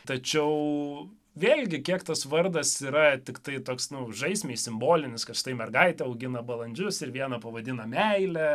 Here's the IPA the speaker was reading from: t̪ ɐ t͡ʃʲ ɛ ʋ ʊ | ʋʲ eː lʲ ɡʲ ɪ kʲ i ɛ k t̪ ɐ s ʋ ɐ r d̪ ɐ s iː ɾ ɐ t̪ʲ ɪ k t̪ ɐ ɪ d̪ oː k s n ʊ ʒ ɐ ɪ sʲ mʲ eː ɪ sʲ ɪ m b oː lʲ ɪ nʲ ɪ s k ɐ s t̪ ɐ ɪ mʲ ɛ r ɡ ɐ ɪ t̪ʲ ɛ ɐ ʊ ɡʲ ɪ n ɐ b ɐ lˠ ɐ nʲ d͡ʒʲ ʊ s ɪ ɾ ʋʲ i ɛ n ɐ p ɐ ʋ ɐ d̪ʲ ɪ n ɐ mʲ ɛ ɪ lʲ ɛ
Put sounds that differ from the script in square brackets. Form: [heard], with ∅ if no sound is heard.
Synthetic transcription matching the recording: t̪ ɐ t͡ʃʲ ɛ [∅] ʊ | ʋʲ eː lʲ ɡʲ ɪ kʲ i ɛ k t̪ ɐ s ʋ ɐ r d̪ ɐ s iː ɾ ɐ t̪ʲ ɪ k t̪ ɐ ɪ [t̪] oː k s n ʊ ʒ ɐ ɪ sʲ mʲ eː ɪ sʲ ɪ m b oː lʲ ɪ nʲ ɪ s k ɐ [ʃ] t̪ ɐ ɪ mʲ ɛ r ɡ ɐ ɪ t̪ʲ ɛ ɐ ʊ ɡʲ ɪ n ɐ b ɐ lˠ ɐ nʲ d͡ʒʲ ʊ s ɪ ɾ ʋʲ i ɛ n ɐ p ɐ ʋ ɐ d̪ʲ ɪ n ɐ mʲ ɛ ɪ lʲ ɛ